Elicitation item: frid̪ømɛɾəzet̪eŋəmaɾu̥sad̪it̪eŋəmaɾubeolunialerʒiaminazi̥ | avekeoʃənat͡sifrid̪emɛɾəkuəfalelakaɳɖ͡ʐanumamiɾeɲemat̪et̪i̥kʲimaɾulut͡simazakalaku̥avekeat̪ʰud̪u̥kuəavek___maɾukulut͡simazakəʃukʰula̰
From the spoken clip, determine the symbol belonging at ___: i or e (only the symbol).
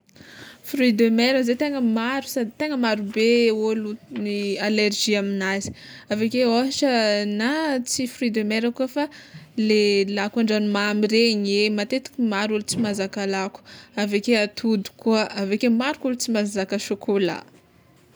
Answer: e